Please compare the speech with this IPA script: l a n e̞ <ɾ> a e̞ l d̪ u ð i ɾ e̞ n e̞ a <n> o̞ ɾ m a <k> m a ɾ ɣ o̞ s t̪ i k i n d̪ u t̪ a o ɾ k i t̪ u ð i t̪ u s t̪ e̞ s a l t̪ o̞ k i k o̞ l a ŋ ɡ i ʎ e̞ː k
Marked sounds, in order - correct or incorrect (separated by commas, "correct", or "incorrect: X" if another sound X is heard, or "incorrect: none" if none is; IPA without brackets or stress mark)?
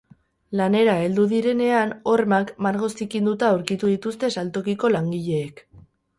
correct, correct, correct